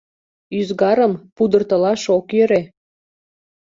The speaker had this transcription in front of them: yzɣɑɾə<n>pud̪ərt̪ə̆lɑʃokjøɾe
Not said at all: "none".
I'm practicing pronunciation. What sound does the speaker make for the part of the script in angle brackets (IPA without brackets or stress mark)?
m